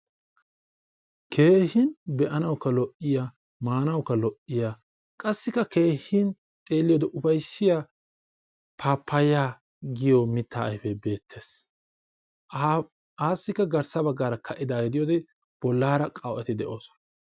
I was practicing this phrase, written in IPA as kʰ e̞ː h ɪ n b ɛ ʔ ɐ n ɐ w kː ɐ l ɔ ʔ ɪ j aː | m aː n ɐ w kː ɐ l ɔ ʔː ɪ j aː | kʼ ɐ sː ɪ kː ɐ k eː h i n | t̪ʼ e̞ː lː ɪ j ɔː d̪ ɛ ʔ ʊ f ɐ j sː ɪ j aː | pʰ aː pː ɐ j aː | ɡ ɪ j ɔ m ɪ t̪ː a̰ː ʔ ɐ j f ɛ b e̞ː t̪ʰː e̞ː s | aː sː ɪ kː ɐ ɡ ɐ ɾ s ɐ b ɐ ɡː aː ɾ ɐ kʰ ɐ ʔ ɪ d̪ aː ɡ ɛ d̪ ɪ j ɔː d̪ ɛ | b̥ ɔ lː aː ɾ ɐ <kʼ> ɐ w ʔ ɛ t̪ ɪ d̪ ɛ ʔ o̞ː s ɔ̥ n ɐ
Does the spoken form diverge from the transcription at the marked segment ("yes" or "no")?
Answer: no